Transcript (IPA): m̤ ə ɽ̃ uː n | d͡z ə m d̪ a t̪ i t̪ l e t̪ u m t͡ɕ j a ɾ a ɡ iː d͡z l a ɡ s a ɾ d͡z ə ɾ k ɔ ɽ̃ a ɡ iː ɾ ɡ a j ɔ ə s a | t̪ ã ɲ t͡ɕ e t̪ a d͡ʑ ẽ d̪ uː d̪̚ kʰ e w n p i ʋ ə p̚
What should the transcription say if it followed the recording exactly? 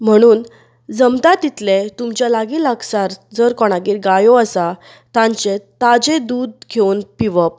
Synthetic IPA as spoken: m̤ ə ɽ̃ uː n | d͡z ə m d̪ a t̪ i t̪ l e t̪ u m t͡ɕ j a l a ɡ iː l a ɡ s a ɾ d͡z ə ɾ k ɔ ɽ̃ a ɡ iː ɾ ɡ a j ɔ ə s a | t̪ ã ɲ t͡ɕ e t̪ a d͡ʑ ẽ d̪ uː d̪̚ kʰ e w n p i ʋ ə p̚